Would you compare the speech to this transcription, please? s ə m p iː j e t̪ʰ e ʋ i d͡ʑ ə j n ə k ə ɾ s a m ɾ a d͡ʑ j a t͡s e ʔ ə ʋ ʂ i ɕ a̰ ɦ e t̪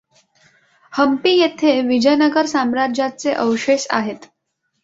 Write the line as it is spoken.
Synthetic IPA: h ə m p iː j e t̪ʰ e ʋ i d͡ʑ ə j n ə ɡ ə ɾ s a m ɾ a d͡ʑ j a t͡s e ʔ ə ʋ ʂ e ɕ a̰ ɦ e t̪